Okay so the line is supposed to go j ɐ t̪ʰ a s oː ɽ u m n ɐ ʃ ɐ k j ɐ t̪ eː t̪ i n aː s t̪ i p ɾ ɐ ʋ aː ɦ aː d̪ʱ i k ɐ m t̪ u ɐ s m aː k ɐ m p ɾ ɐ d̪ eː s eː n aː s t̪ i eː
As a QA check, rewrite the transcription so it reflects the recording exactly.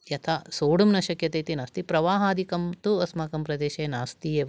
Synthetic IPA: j ɐ t̪ʰ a s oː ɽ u m n ɐ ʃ ɐ k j ɐ t̪ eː t̪ i n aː s t̪ i p ɾ ɐ ʋ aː ɦ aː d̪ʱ i k ɐ m t̪ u ɐ s m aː k ɐ m p ɾ ɐ d̪ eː ʃ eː n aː s t̪ i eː